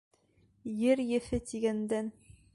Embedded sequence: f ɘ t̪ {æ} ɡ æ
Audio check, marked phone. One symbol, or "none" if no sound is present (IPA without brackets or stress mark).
i